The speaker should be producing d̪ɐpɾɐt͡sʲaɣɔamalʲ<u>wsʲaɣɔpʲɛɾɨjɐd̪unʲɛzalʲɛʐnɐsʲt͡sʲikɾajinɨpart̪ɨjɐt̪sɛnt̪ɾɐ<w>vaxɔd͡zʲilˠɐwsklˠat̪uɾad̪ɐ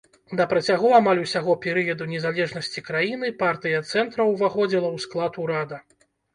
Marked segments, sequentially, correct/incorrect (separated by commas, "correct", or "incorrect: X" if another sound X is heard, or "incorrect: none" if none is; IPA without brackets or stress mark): correct, correct